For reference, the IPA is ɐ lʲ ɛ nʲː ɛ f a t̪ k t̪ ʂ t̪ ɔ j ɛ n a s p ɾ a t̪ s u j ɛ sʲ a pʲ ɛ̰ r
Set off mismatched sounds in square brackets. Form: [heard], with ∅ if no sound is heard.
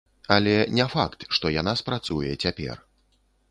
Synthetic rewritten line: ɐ lʲ ɛ [nʲ] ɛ f a [∅] k t̪ ʂ t̪ ɔ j [a] n a s p ɾ a t̪ s u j ɛ [t͡sʲ] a pʲ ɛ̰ r